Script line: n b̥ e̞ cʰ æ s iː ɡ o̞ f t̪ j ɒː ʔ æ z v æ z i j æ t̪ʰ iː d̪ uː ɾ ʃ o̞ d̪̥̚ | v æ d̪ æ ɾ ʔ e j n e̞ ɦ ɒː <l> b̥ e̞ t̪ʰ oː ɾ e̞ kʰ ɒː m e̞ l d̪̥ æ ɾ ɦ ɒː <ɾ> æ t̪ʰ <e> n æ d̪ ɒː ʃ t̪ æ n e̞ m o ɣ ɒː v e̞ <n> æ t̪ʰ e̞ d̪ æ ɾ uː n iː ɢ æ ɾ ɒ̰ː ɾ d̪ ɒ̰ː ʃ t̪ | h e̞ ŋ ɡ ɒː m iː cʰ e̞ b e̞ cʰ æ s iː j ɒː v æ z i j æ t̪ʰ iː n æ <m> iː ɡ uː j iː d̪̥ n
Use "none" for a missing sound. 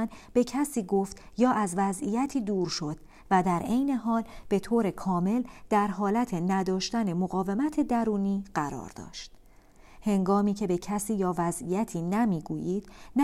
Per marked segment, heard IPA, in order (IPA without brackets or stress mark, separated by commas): l, l, e, m, m